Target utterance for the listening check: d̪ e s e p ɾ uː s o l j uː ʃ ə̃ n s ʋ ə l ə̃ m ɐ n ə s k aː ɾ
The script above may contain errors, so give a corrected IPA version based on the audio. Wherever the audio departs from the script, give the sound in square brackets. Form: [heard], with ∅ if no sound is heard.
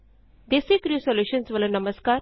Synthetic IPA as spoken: d̪ e s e [k] ɾ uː s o l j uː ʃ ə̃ n s ʋ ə l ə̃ [n] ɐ [m] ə s k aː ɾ